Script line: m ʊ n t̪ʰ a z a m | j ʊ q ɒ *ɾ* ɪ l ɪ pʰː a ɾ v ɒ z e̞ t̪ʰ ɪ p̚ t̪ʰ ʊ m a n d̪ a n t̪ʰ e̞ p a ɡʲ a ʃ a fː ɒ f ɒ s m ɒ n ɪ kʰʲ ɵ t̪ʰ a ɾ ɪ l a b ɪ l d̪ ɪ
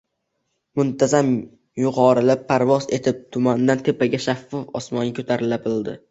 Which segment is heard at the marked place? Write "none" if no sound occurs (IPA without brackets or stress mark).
ɾ